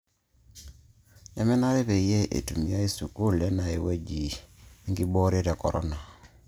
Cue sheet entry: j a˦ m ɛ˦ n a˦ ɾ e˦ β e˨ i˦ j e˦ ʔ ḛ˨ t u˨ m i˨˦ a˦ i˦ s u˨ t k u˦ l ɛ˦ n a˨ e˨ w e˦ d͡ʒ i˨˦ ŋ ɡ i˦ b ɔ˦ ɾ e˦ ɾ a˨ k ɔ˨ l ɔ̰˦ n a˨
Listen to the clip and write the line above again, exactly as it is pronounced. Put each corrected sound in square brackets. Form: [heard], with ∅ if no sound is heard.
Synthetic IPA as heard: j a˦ m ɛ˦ n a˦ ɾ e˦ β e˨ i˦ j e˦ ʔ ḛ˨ t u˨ m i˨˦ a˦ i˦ s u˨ [∅] k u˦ l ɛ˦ n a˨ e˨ w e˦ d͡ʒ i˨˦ ŋ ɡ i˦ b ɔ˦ ɾ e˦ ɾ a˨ k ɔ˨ [ɾ] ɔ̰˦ n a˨